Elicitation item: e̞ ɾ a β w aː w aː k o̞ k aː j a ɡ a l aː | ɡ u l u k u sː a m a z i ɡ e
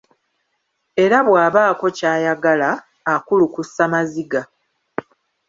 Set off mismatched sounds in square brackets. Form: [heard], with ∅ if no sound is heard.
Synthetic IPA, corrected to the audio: e̞ ɾ a β w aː [β] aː k o̞ [c] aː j a ɡ a l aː | [k] u l u k u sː a m a z i ɡ [a]